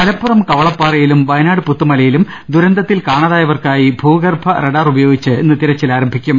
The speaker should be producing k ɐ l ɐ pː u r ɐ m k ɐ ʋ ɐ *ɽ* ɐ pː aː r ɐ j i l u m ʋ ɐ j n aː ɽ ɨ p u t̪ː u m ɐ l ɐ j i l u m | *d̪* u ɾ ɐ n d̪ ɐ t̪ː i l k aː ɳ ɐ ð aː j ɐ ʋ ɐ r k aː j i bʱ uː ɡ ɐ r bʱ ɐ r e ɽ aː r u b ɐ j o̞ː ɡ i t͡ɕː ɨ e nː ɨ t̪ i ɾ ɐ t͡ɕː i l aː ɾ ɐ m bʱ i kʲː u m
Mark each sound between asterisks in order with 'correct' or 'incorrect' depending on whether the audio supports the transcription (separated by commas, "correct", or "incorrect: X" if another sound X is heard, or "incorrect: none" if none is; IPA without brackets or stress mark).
incorrect: ɭ, correct